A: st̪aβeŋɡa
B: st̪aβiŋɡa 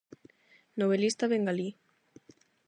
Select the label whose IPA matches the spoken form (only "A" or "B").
A